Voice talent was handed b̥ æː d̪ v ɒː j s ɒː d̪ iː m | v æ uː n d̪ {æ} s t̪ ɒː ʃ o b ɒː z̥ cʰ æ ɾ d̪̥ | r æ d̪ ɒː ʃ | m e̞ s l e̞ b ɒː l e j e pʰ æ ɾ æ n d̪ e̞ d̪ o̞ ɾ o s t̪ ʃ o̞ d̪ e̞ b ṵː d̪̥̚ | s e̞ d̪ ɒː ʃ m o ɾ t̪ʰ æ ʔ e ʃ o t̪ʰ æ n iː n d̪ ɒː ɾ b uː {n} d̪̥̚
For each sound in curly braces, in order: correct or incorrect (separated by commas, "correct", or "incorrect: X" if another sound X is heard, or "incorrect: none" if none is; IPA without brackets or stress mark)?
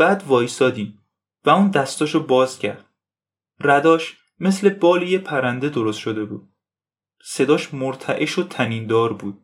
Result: correct, incorrect: none